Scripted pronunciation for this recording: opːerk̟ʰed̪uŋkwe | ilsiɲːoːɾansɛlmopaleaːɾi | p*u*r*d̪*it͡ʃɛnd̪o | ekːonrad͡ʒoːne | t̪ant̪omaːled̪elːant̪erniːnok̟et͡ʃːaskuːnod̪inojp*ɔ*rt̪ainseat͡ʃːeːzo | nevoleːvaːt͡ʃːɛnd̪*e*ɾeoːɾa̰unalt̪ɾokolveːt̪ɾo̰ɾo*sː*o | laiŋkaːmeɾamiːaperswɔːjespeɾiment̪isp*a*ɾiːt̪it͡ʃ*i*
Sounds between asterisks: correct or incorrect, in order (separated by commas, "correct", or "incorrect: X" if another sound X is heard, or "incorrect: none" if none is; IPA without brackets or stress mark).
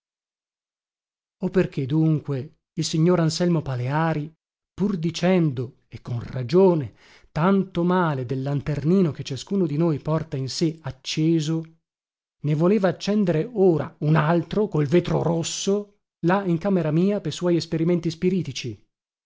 correct, correct, correct, correct, correct, incorrect: i, correct